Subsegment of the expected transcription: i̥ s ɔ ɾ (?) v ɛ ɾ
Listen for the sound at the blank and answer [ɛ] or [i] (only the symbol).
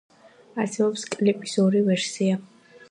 i